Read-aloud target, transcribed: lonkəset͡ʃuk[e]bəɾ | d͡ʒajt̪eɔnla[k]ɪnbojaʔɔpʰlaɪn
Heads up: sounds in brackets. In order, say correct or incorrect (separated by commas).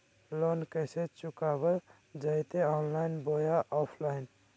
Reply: incorrect, incorrect